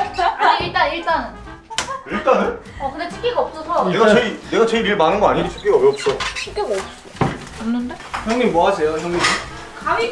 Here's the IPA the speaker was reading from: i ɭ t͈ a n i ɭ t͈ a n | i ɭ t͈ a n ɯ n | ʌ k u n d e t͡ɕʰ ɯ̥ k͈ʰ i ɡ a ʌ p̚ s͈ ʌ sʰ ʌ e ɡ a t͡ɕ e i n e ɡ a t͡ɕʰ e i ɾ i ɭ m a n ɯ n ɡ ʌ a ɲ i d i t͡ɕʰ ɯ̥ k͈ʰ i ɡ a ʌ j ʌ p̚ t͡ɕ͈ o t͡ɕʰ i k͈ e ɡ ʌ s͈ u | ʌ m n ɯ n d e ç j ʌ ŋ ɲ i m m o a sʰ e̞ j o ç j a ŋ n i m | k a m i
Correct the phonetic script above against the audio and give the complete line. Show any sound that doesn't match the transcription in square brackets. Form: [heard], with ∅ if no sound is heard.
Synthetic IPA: i ɭ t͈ a n i ɭ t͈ a n | i ɭ t͈ a n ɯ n | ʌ k [ɯ] n d e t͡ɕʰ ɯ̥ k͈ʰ i ɡ a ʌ p̚ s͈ ʌ sʰ ʌ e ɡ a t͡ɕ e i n e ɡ a [t͡ɕ] e i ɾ i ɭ m a n ɯ n ɡ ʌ a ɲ i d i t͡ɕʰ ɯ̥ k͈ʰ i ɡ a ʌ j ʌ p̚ t͡ɕ͈ o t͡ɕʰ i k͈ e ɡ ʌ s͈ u | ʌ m n ɯ n d e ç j ʌ ŋ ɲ i m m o a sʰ e̞ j o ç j [ʌ] ŋ [ɲ] i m | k a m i